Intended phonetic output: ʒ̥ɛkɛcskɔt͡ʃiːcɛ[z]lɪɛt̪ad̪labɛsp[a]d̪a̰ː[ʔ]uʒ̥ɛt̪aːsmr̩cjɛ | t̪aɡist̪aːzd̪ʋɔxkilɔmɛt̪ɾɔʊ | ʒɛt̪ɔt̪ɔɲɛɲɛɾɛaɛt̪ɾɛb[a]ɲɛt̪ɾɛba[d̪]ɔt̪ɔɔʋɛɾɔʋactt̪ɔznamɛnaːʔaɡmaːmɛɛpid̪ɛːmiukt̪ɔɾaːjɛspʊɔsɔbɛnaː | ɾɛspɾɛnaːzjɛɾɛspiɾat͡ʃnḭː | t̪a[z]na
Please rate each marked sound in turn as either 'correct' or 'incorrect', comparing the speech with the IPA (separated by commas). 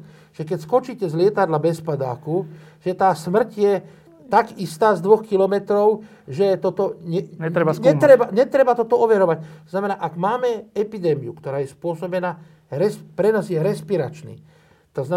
correct, correct, incorrect, correct, incorrect, correct